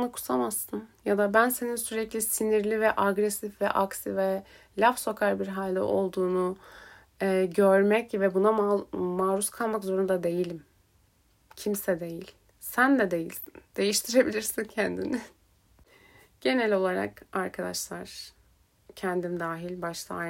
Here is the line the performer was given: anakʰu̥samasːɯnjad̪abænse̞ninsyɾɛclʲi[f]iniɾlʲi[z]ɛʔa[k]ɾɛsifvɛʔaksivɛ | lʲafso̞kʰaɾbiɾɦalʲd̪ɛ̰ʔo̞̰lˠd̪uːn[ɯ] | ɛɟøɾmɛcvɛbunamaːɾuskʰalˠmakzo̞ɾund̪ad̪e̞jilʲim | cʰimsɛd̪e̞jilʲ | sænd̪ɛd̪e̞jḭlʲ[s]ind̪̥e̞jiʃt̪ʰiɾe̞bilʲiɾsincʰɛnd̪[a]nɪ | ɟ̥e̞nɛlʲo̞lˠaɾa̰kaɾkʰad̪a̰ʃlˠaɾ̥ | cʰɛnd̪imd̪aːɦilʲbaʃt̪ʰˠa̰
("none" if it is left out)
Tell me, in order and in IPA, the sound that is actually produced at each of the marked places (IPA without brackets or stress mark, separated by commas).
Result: s, v, ɡ, u, s, i